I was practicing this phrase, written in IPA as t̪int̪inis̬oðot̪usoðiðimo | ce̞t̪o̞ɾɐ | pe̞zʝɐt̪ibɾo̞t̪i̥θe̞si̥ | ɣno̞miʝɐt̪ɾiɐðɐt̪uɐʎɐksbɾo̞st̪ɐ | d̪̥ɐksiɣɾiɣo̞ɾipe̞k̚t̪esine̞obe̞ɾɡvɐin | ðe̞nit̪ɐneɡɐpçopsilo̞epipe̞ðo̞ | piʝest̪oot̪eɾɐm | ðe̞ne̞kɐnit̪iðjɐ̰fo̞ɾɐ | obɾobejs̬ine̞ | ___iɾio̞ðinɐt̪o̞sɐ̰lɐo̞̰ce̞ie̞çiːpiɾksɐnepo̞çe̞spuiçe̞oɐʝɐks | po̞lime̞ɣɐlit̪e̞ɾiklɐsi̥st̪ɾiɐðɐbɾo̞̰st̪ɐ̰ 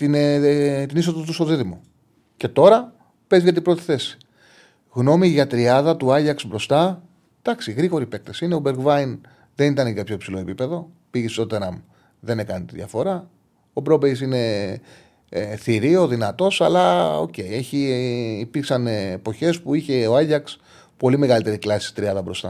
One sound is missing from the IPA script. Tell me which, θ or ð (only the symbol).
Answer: θ